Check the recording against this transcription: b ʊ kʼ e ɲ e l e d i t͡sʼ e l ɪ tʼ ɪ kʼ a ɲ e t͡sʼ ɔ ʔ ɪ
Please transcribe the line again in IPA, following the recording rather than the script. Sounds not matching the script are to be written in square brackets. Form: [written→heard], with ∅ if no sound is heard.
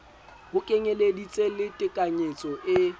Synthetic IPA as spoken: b ʊ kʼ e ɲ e l e d i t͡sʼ e l ɪ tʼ ɪ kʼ a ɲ e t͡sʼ ɔ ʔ ɪ